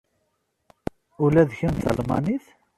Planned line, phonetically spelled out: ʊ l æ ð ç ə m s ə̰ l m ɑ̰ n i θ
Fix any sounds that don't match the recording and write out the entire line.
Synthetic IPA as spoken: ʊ l æ ð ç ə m θ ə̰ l m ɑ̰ n i θ